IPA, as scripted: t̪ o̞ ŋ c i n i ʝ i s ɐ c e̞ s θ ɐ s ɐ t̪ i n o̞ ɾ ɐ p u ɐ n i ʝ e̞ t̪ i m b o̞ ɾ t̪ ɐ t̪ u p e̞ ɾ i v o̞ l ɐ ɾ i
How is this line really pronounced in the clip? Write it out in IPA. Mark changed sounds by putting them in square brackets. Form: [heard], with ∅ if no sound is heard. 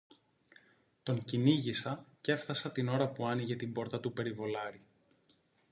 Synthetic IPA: t̪ o̞ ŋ c i n i ʝ i s ɐ c e̞ [f] θ ɐ s ɐ t̪ i n o̞ ɾ ɐ p u ɐ n i ʝ e̞ t̪ i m b o̞ ɾ t̪ ɐ t̪ u p e̞ ɾ i v o̞ l ɐ ɾ i